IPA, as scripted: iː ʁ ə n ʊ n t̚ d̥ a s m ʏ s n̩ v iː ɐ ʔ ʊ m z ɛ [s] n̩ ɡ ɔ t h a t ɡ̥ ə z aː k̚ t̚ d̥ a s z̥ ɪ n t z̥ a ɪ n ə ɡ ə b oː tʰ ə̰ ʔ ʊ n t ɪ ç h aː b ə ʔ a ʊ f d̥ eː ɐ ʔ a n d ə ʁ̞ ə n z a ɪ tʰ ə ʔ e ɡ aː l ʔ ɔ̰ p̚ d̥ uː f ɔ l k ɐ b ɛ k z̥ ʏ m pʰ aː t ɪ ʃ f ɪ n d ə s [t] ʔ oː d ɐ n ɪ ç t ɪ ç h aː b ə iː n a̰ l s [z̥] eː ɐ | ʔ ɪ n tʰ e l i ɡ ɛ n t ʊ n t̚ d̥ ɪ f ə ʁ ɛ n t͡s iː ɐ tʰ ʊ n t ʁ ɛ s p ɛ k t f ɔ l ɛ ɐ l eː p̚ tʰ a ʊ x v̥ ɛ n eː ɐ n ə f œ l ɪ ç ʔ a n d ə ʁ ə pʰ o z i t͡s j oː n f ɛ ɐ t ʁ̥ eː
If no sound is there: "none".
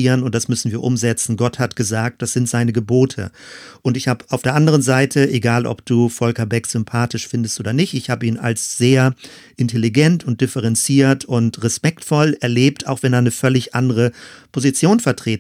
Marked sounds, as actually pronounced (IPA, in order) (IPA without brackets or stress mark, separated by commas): t͡s, t, z̥